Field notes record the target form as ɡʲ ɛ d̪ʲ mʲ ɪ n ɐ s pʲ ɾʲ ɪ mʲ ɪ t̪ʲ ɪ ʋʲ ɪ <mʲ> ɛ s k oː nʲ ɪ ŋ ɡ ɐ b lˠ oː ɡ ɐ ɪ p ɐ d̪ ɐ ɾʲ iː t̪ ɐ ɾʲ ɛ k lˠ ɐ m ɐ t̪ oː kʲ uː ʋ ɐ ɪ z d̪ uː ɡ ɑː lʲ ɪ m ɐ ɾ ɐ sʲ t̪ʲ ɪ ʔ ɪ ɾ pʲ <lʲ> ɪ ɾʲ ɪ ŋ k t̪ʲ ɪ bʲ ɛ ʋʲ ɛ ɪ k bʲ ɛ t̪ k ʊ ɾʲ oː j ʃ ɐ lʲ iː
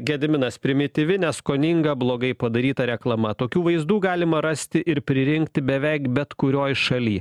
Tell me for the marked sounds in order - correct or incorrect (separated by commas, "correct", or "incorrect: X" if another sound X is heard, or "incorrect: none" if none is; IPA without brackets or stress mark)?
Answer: incorrect: nʲ, incorrect: ɾʲ